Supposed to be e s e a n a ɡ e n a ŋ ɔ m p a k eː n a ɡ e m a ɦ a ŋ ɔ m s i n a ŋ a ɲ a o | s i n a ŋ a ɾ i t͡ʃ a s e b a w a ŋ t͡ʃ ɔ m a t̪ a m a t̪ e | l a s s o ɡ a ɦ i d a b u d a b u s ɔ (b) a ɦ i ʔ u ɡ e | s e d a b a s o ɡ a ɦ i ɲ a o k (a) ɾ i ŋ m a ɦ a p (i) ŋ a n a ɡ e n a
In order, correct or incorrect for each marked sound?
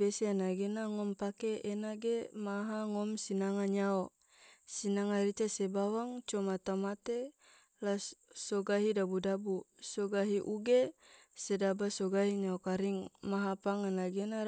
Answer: incorrect: ɡ, correct, incorrect: a

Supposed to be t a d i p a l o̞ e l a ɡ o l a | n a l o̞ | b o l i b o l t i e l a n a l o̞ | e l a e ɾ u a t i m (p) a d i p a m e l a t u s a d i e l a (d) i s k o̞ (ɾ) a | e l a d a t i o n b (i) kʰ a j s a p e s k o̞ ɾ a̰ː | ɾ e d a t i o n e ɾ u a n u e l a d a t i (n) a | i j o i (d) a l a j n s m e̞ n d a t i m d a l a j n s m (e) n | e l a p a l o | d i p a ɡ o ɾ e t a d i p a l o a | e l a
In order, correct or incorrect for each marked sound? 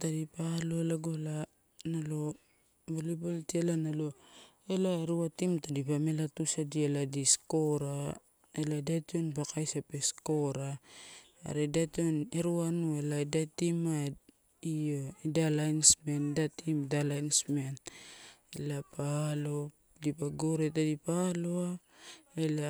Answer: incorrect: t, correct, correct, incorrect: a, incorrect: m, correct, correct

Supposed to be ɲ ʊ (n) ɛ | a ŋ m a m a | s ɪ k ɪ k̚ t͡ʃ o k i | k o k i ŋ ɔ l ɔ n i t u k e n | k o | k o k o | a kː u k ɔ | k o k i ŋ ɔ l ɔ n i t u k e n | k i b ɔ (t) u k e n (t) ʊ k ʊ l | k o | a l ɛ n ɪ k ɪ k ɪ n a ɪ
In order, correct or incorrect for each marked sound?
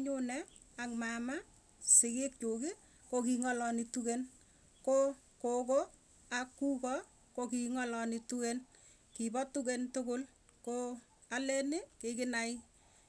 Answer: correct, correct, correct

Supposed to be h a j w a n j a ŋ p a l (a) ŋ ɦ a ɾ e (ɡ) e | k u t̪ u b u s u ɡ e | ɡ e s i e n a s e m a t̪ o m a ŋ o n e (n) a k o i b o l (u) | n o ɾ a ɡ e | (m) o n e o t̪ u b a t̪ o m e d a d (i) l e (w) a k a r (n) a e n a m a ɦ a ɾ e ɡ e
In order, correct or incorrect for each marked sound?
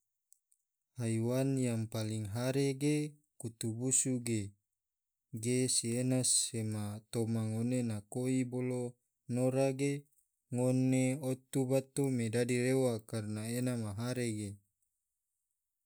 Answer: incorrect: i, correct, correct, incorrect: o, incorrect: ŋ, correct, correct, correct

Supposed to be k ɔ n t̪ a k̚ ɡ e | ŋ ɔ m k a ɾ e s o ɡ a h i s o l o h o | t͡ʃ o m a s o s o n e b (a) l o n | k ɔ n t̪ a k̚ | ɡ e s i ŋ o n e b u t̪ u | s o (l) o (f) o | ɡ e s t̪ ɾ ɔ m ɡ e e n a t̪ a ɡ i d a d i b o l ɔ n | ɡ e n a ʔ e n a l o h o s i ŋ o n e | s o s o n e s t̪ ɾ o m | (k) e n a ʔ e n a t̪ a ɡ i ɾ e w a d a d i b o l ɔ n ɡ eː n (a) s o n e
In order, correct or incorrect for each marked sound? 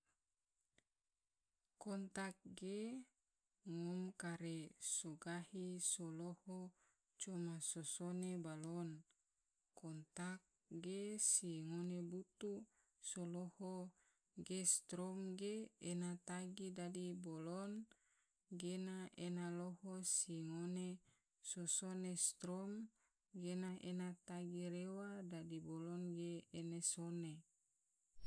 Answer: correct, correct, incorrect: h, incorrect: ɡ, incorrect: e

